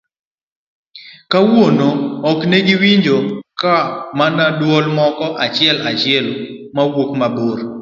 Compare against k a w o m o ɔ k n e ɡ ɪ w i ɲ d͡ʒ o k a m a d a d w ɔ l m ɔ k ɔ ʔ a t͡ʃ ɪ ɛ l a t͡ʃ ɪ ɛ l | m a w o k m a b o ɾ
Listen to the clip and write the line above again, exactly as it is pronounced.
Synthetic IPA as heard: k a w o n o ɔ k n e ɡ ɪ w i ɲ d͡ʒ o k a m a n a d w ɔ l m ɔ k ɔ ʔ a t͡ʃ ɪ ɛ l a t͡ʃ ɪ ɛ l | m a w o k m a b o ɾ